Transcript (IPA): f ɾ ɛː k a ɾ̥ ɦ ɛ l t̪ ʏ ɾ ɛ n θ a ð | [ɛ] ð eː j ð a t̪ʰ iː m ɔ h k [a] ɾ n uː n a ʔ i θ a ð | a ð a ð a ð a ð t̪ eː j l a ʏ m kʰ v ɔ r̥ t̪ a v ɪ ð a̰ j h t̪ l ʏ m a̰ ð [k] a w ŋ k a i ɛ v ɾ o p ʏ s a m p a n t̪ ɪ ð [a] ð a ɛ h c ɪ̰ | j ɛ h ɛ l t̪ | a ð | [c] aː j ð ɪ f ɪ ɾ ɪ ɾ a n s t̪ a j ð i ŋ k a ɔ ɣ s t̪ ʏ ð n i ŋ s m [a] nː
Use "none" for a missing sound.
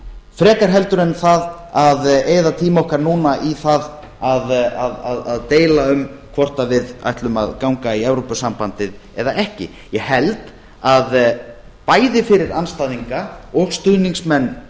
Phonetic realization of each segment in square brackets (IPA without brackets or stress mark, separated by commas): a, a, k, ɛ, p, ɛ